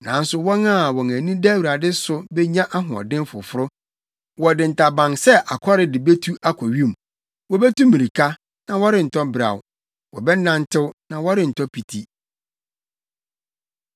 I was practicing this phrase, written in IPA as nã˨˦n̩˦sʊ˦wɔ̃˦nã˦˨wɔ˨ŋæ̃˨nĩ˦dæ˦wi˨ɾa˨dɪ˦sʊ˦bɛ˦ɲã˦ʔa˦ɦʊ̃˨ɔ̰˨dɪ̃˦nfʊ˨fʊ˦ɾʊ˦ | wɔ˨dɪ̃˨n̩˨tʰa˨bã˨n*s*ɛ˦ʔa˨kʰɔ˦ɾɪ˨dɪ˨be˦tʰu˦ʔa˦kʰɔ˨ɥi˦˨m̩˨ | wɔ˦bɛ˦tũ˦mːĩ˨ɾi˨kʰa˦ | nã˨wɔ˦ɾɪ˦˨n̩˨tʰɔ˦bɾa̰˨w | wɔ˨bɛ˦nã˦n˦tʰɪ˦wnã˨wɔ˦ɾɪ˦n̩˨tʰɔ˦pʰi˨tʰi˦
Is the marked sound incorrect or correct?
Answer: correct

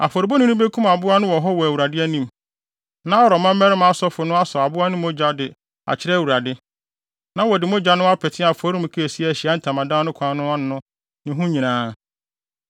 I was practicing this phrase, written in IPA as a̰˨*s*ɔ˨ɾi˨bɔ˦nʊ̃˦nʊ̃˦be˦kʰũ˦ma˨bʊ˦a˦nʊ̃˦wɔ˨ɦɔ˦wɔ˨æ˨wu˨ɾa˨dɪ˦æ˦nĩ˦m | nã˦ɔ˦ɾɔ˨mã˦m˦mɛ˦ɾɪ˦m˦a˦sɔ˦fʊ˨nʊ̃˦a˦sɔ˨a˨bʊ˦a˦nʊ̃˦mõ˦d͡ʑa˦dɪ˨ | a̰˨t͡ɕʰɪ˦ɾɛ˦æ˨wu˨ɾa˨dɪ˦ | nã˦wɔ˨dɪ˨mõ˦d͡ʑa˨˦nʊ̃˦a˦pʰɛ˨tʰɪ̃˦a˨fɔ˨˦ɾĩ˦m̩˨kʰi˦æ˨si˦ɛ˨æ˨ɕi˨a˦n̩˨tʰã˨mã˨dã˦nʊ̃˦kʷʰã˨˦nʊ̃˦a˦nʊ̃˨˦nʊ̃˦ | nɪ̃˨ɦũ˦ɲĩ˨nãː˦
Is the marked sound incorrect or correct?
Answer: incorrect: f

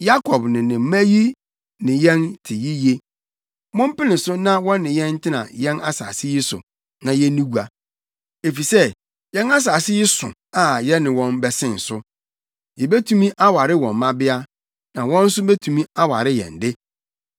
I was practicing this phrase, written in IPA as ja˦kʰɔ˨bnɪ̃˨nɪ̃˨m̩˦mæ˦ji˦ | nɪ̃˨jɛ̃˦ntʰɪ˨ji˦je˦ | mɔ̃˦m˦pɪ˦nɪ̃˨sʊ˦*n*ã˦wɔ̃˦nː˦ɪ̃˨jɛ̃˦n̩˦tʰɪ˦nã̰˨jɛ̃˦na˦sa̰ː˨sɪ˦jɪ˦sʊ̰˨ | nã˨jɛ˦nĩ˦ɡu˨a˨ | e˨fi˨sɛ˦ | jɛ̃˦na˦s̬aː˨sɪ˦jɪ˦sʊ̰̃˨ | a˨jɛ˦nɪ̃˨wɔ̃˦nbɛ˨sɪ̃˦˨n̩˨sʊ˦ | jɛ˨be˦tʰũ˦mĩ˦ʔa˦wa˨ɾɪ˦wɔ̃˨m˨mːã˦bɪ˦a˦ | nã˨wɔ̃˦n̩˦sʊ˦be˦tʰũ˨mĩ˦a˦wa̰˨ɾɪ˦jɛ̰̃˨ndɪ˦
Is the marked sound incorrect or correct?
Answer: correct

